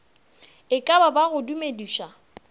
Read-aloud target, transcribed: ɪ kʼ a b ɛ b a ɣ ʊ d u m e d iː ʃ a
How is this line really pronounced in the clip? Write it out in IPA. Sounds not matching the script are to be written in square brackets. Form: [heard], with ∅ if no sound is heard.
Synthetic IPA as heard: ɪ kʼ a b [a] b a ɣ ʊ d u m e d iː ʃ a